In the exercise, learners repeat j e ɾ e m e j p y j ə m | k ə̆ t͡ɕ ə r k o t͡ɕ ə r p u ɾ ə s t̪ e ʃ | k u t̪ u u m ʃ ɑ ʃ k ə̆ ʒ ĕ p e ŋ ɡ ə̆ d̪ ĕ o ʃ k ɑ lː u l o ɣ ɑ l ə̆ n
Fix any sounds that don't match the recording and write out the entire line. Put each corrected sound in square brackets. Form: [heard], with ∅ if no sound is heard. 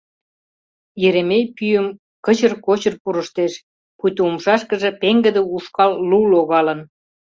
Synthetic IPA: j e ɾ e m e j p y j ə m | k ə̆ t͡ɕ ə r k o t͡ɕ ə r p u ɾ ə [ʃ] t̪ e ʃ | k u t̪ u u m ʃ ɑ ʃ k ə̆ ʒ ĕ p e ŋ ɡ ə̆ d̪ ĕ [u] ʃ k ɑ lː u l o ɣ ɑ l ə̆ n